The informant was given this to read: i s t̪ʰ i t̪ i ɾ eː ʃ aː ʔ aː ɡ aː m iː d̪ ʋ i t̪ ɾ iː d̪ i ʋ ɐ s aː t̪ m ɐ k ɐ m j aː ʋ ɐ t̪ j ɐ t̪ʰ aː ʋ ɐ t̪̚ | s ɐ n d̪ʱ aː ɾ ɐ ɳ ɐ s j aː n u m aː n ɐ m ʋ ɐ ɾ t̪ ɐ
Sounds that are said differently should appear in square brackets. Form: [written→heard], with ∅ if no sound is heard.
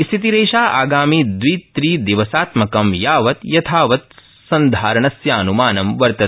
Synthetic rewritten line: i s t̪ʰ i t̪ i ɾ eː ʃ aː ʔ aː ɡ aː m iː d̪ ʋ i t̪ ɾ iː d̪ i ʋ ɐ s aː t̪ m ɐ k ɐ m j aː ʋ ɐ t̪ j ɐ t̪ʰ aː ʋ ɐ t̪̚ | s ɐ n d̪ʱ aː ɾ ɐ ɳ ɐ s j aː n u m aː n ɐ m ʋ ɐ ɾ t̪ ɐ